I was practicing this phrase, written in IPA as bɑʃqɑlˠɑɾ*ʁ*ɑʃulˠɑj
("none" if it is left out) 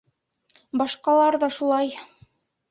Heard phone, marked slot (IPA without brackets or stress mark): ð